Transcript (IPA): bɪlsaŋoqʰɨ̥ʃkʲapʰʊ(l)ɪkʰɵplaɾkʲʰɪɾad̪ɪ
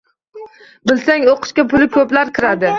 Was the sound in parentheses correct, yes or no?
yes